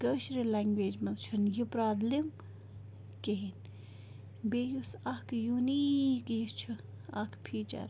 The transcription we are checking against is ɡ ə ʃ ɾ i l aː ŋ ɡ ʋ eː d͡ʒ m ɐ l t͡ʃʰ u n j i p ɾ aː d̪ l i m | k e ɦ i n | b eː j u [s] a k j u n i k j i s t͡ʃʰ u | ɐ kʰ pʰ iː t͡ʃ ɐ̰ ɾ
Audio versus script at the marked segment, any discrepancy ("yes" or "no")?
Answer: no